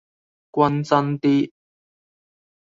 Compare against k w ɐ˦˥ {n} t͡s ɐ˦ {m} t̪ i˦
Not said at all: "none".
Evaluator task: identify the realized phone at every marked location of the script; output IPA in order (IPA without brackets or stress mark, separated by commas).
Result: n, n